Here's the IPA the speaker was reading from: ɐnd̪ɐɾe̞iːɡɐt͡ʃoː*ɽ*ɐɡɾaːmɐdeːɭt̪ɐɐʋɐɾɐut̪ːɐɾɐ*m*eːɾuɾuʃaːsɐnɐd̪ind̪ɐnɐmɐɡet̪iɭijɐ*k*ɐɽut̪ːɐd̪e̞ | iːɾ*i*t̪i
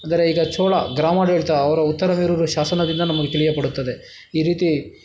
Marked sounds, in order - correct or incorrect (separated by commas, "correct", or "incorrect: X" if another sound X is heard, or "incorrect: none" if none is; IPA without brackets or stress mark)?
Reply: incorrect: ɭ, correct, incorrect: p, incorrect: iː